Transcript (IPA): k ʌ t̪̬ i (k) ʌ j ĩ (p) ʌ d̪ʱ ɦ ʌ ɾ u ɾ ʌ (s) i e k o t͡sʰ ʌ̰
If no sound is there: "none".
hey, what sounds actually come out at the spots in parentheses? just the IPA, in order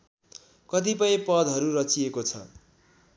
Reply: p, p, t͡s

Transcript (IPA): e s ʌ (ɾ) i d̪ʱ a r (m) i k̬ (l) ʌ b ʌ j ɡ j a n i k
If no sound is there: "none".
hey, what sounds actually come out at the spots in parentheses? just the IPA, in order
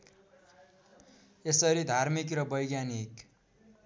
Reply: ɾ, m, r

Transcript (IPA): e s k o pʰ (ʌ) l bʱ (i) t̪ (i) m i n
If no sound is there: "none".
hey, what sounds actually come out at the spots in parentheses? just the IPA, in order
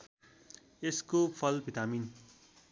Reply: ʌ, i, a

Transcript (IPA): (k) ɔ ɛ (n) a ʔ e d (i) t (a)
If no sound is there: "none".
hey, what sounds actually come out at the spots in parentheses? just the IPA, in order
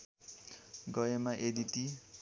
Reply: ɡ, m, i, i

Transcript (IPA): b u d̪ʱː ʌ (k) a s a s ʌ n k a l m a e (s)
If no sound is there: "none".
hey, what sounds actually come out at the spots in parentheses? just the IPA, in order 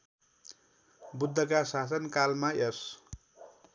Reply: k, s

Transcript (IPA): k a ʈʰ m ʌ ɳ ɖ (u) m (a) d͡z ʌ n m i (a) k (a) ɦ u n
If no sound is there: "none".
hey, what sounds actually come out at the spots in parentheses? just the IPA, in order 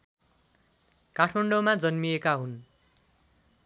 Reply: o, a, e, a

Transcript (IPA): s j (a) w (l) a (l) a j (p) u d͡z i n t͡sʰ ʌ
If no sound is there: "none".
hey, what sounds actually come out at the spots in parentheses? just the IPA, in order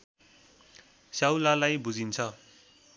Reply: a, l, l, b

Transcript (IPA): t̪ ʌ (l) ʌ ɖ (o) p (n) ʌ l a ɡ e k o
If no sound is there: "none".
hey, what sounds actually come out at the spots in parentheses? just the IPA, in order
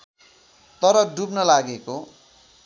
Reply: ɾ, u, n

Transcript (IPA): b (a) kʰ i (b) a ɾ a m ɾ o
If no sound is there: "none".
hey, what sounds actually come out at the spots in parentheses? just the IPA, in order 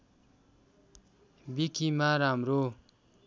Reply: i, m

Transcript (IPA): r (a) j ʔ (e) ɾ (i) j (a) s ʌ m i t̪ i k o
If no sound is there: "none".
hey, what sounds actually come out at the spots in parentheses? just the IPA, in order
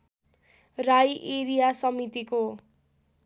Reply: a, e, i, a

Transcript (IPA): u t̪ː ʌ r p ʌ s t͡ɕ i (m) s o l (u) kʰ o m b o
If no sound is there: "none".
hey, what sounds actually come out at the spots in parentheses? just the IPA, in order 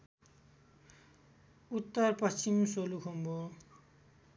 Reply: m, u

